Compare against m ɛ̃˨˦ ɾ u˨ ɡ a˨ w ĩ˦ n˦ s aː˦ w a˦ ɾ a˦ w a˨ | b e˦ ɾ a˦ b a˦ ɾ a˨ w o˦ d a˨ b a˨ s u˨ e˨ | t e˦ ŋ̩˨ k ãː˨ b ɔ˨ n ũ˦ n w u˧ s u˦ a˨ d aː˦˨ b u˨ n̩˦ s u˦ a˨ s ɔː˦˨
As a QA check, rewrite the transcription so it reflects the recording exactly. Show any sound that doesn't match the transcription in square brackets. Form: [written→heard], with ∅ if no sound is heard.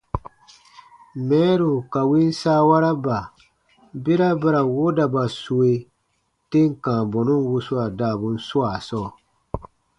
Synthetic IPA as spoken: m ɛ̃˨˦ ɾ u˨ [ɡ→k] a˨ w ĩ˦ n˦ s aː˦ w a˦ ɾ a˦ [w→b] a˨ | b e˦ ɾ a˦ b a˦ ɾ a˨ w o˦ d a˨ b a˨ s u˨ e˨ | t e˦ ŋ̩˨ k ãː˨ b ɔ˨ n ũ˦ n w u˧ s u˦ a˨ d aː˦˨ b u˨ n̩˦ s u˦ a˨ s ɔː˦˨